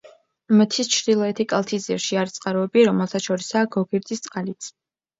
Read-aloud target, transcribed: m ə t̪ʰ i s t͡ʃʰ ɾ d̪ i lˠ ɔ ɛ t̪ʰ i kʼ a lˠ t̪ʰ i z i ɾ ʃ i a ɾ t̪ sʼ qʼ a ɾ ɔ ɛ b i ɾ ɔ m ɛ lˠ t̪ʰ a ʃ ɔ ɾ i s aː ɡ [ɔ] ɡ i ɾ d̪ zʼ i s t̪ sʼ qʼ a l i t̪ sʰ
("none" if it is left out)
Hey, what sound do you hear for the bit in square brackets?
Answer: ɔ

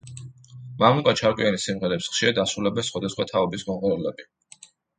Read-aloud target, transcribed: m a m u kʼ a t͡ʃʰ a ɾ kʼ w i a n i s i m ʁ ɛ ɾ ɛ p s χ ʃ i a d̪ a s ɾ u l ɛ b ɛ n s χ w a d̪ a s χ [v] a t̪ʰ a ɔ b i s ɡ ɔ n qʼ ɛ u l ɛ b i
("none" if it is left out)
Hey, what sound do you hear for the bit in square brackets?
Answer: w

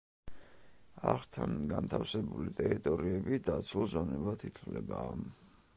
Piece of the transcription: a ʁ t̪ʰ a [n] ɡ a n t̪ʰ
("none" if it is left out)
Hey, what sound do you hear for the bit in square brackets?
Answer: n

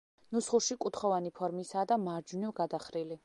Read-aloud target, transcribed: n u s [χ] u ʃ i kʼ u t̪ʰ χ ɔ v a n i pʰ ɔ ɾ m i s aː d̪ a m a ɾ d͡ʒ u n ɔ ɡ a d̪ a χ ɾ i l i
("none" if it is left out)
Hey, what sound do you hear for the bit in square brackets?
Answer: χ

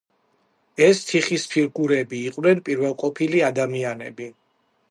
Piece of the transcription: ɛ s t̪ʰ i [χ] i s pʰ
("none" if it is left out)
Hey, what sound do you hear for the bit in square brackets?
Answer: χ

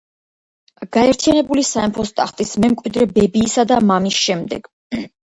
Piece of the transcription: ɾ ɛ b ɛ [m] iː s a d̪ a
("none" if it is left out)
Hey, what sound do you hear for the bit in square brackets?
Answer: b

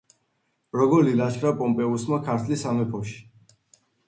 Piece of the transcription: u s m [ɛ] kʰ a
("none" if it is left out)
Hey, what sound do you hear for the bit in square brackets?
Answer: a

